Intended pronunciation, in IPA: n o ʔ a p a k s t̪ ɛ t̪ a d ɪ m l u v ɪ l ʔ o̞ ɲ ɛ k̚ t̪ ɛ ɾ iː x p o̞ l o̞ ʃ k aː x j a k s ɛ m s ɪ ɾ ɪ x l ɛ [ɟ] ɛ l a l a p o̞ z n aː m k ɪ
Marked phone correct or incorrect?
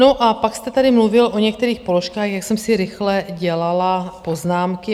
correct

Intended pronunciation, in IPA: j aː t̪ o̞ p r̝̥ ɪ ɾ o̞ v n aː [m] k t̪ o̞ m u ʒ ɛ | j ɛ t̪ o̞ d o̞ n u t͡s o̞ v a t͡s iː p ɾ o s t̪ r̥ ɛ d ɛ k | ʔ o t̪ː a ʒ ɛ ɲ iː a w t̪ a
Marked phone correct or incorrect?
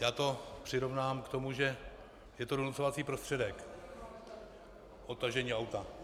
correct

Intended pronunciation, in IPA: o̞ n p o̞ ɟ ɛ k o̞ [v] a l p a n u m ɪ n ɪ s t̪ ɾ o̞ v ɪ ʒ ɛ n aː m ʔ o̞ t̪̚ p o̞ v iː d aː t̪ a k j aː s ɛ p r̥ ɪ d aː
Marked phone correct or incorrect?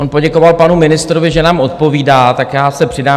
correct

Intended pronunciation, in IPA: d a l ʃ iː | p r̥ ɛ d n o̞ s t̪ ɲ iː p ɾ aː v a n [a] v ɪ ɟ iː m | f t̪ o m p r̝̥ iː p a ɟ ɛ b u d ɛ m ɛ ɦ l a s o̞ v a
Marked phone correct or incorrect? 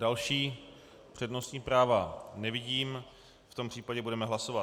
incorrect: ɛ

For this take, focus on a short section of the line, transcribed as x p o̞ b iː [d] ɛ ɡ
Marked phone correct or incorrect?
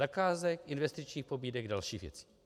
correct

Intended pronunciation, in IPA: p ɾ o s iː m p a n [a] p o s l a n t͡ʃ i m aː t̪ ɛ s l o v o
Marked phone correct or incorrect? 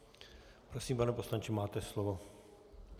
incorrect: ɛ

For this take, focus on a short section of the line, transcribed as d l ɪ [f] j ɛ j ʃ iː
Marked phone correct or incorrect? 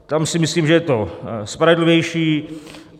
incorrect: v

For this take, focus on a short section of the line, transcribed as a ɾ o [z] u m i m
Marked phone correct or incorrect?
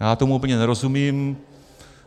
incorrect: s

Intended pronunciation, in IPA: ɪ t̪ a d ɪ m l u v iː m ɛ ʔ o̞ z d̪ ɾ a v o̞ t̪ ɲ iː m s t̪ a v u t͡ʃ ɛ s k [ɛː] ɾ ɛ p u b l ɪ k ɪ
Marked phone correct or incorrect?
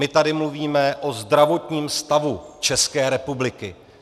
correct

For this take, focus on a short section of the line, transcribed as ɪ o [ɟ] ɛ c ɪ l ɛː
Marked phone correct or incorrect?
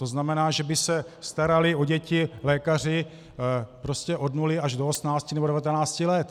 correct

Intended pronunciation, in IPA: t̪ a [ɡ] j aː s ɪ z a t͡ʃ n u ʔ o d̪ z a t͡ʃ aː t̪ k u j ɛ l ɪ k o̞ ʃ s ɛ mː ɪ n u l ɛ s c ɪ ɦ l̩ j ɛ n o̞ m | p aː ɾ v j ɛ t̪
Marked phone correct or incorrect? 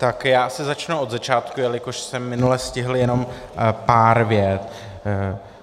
incorrect: k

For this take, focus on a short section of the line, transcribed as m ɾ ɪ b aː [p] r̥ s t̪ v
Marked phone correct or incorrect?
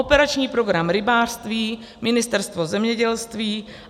incorrect: none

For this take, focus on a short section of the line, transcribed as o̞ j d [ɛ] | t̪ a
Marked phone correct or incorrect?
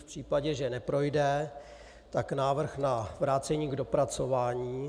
correct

